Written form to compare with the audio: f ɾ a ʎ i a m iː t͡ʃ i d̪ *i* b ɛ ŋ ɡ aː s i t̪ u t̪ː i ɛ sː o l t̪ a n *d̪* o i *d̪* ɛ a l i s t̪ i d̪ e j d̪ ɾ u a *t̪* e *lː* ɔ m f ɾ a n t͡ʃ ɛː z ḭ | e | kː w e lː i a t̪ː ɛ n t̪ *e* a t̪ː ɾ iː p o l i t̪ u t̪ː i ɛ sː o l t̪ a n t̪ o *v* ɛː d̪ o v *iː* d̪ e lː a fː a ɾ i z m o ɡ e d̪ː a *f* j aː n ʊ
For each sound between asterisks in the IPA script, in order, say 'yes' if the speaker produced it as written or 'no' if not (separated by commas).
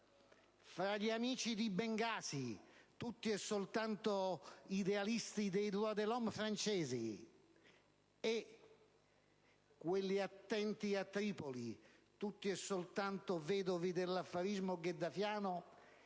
yes, no, yes, no, no, no, yes, no, yes